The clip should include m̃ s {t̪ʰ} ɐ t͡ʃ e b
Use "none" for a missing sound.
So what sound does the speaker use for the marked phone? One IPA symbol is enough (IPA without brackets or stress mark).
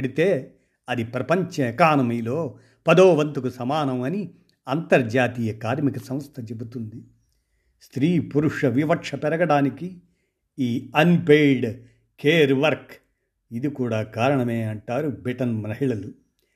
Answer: t̪ʰ